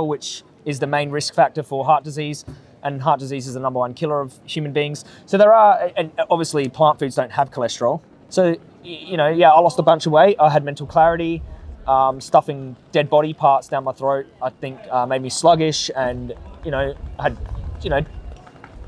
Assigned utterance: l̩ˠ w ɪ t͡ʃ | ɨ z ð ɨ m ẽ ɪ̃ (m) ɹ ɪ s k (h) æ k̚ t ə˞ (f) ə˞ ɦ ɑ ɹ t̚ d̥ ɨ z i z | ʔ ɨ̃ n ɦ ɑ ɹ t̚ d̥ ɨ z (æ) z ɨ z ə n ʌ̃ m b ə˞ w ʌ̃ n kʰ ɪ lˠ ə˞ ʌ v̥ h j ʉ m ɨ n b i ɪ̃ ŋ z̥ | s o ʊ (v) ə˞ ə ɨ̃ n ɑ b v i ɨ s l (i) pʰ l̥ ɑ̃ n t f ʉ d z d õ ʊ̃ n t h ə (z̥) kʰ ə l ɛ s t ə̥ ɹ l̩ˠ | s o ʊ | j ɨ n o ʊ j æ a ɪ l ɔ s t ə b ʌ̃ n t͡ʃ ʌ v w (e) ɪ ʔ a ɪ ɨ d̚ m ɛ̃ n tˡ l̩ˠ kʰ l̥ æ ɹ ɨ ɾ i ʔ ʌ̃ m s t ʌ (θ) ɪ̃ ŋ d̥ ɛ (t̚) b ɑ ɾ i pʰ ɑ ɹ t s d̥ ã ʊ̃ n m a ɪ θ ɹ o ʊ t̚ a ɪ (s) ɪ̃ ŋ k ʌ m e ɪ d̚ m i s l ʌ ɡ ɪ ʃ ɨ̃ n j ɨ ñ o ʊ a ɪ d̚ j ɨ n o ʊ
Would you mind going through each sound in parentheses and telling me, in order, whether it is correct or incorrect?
incorrect: n, incorrect: f, correct, incorrect: i, incorrect: ð, correct, incorrect: v̥, correct, incorrect: f, incorrect: d̚, incorrect: θ

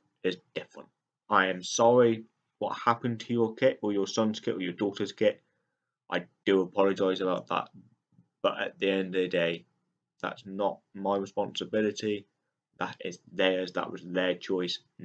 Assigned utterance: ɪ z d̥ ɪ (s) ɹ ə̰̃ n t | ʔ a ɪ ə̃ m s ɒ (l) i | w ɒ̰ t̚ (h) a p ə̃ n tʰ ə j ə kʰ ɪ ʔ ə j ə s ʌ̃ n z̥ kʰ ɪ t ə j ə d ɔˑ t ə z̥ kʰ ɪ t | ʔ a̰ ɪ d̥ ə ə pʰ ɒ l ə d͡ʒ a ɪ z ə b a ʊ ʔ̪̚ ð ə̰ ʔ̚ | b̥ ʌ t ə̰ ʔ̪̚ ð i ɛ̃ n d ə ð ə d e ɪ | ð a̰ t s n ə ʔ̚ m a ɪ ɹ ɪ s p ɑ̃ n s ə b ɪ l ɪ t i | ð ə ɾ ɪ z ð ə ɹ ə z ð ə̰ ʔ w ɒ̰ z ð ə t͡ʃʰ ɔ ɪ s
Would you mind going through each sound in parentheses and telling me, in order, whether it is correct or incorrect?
incorrect: f, incorrect: ɹ, correct

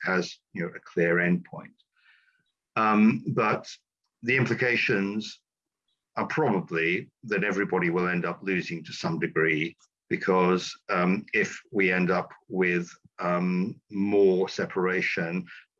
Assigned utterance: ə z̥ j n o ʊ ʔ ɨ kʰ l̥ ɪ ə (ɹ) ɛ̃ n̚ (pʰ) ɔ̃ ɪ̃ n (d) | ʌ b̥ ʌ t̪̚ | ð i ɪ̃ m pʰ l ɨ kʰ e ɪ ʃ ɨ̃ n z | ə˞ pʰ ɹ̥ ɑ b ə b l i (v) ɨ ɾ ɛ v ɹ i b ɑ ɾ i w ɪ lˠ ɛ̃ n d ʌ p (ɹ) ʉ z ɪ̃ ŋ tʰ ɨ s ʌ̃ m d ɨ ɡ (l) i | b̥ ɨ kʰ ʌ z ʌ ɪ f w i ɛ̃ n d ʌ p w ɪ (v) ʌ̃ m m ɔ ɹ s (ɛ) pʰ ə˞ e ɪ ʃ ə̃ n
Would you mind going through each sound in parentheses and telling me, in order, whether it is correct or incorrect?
correct, correct, incorrect: t, incorrect: ð, incorrect: l, incorrect: ɹ, incorrect: ð, correct

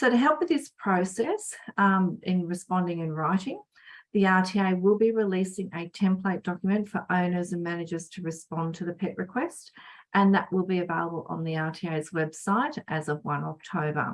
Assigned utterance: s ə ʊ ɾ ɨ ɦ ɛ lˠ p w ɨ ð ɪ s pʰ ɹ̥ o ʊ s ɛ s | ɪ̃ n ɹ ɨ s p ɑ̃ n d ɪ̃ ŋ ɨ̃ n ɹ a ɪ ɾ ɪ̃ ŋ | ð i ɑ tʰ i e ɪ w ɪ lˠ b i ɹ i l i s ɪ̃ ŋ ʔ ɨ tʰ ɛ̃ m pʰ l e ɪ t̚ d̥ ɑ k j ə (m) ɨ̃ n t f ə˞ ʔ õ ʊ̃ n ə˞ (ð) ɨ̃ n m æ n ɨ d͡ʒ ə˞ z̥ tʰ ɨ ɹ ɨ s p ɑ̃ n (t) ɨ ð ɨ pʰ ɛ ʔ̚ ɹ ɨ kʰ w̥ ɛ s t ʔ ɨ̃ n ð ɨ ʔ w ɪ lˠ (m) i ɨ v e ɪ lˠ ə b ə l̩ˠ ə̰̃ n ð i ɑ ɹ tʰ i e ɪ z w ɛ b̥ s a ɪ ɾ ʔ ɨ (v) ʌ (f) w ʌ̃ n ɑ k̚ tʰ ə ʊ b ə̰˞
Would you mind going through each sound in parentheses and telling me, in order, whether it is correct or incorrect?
correct, incorrect: z, incorrect: tʰ, incorrect: b, incorrect: z, incorrect: v

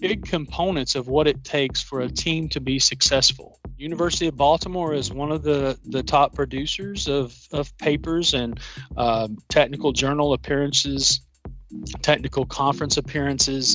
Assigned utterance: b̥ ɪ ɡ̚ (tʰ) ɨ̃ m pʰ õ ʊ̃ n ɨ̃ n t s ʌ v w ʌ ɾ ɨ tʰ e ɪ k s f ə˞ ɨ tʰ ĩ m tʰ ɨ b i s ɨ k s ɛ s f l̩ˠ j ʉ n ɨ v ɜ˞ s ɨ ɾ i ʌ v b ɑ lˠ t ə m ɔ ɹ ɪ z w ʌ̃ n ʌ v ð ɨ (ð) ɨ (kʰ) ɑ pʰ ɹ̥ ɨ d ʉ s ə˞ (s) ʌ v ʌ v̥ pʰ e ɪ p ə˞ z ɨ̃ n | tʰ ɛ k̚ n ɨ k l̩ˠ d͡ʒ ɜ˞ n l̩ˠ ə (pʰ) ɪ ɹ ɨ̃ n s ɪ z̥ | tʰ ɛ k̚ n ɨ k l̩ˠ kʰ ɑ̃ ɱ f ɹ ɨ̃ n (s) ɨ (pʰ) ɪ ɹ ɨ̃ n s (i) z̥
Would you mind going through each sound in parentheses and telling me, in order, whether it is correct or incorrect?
incorrect: kʰ, correct, incorrect: tʰ, incorrect: z, correct, correct, correct, incorrect: ɪ

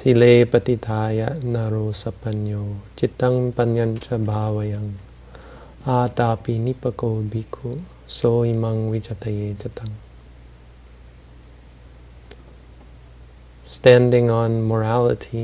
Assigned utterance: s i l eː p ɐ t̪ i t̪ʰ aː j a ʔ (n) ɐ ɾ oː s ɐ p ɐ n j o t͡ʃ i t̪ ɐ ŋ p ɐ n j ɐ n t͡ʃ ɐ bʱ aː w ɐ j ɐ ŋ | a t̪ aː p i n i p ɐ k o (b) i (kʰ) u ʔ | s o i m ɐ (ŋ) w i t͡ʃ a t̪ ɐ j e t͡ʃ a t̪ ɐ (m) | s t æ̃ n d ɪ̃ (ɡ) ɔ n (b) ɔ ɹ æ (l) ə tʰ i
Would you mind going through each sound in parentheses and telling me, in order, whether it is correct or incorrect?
correct, correct, correct, correct, incorrect: ŋ, incorrect: ŋ, incorrect: m, correct

